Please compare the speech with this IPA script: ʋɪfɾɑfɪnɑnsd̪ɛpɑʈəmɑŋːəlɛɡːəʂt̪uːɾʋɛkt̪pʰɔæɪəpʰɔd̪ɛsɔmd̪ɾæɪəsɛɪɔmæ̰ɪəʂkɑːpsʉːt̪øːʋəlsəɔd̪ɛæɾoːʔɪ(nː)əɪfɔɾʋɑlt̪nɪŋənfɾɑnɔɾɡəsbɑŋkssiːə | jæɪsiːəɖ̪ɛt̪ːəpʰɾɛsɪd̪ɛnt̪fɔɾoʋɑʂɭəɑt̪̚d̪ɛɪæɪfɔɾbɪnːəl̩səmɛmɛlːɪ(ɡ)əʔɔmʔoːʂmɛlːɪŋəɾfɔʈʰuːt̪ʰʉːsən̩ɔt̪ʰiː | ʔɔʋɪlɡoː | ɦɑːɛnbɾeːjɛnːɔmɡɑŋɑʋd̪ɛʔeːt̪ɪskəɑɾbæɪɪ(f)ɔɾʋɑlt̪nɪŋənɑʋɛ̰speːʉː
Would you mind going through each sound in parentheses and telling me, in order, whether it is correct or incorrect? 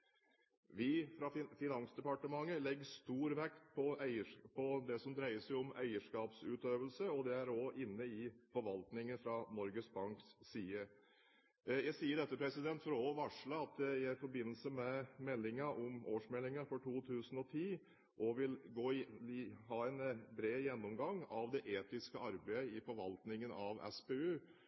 correct, incorrect, correct

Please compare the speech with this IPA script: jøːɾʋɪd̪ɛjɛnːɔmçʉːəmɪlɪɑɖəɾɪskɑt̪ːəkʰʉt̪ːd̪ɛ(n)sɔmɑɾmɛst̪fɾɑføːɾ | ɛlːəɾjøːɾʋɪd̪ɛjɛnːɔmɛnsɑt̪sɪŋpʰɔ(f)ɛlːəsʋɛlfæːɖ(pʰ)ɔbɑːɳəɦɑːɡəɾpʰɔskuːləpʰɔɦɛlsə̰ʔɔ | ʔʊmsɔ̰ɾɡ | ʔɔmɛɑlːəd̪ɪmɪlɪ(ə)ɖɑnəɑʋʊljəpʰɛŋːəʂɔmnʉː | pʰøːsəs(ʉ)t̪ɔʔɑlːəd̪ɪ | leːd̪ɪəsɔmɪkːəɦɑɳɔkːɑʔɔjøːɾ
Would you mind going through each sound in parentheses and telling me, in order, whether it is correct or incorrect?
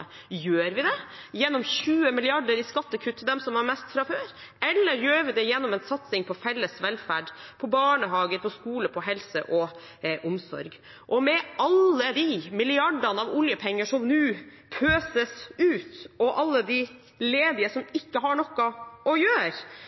incorrect, correct, correct, incorrect, incorrect

